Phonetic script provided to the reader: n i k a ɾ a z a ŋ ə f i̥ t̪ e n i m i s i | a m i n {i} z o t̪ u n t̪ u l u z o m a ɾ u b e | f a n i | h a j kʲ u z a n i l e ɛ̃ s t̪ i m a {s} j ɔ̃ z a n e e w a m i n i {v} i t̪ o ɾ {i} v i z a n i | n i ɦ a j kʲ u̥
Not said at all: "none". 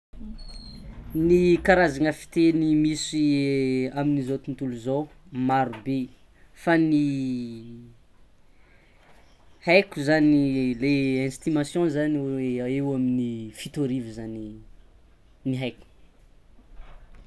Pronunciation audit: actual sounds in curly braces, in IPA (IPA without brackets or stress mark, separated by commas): i, s, f, i